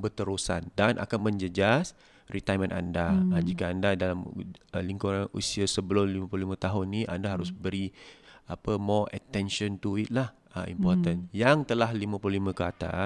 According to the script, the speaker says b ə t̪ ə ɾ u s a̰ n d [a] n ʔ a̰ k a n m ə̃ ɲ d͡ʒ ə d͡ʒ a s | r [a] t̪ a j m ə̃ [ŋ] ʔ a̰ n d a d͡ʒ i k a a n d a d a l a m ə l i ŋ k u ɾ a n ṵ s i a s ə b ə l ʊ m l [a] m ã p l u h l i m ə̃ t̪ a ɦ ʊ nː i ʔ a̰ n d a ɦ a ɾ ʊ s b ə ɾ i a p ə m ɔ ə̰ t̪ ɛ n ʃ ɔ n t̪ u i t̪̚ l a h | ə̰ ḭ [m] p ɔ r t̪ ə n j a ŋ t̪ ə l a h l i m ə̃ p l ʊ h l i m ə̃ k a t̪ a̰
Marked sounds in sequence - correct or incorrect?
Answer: correct, incorrect: i, incorrect: n, incorrect: i, correct

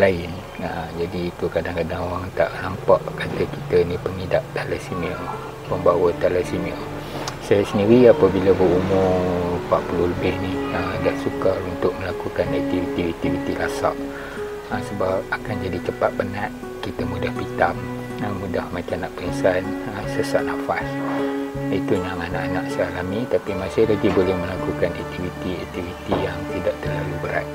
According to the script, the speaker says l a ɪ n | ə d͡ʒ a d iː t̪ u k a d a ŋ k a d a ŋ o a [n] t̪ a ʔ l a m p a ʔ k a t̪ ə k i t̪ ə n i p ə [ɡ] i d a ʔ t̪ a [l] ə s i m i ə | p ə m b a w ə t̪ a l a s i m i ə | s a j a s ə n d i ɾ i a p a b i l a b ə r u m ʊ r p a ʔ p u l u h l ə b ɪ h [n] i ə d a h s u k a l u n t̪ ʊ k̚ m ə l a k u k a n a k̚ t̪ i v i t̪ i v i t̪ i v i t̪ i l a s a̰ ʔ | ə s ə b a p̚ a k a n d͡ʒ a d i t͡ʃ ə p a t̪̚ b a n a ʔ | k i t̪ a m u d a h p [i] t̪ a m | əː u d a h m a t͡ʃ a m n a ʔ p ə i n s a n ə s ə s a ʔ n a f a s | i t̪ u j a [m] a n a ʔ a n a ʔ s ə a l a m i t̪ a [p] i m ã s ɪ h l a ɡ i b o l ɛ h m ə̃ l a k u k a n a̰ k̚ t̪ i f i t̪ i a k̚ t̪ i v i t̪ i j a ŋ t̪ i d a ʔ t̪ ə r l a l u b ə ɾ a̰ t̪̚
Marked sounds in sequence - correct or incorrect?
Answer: incorrect: ŋ, incorrect: ŋ, correct, correct, correct, incorrect: ŋ, correct

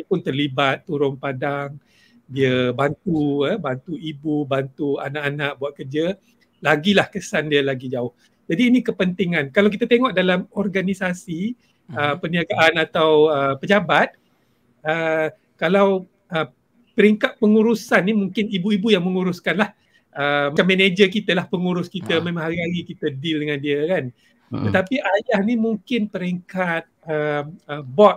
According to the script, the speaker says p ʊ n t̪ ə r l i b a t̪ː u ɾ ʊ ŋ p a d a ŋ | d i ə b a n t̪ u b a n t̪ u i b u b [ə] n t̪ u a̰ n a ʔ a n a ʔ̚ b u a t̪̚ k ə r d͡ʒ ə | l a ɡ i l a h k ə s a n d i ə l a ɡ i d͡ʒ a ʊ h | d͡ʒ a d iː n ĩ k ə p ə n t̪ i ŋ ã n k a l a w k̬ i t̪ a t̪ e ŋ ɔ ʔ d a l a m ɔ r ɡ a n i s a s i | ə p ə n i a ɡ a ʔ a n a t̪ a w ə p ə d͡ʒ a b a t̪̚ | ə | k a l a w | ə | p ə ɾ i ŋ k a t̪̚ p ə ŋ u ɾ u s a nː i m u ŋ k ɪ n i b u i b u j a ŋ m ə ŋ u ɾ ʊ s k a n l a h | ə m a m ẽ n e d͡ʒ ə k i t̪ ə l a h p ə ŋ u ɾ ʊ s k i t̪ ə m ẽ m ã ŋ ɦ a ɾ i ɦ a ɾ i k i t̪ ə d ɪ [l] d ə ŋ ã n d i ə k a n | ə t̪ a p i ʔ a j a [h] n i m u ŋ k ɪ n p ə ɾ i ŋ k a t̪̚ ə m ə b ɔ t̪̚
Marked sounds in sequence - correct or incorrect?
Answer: incorrect: a, correct, correct

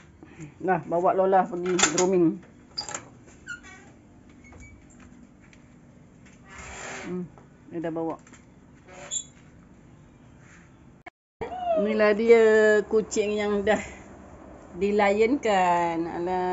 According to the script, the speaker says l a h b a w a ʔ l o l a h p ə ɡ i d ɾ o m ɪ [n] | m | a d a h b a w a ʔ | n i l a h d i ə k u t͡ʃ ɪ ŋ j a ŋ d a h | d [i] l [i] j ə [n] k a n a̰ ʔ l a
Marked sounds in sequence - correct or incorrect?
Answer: incorrect: ŋ, correct, incorrect: a, correct

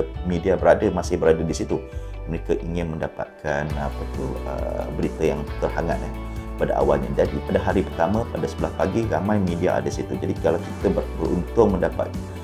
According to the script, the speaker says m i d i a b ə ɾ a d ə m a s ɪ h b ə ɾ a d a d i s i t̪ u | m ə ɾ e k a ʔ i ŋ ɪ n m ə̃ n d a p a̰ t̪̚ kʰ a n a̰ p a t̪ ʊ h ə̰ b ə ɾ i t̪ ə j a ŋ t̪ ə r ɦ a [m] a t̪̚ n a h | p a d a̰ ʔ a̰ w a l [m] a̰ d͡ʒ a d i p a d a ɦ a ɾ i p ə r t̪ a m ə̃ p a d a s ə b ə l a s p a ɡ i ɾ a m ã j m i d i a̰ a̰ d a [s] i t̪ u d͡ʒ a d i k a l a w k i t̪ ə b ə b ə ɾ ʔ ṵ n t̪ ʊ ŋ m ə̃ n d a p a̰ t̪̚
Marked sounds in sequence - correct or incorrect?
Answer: incorrect: ŋ, incorrect: ɲ, correct

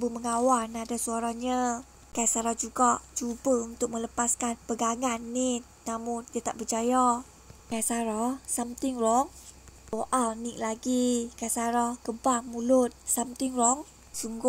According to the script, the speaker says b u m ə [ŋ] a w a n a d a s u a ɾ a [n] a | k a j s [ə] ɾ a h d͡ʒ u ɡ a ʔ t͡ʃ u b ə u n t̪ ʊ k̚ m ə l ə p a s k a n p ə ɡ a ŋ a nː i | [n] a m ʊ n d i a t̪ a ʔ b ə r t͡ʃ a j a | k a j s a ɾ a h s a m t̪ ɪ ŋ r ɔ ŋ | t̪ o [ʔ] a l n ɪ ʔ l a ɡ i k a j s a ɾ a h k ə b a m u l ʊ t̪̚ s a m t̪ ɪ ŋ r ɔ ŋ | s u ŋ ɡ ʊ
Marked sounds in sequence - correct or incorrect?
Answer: correct, incorrect: ɲ, incorrect: a, correct, correct

